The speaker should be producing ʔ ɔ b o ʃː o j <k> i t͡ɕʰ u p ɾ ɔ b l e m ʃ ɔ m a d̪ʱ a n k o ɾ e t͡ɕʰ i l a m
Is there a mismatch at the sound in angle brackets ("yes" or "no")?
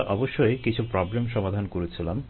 no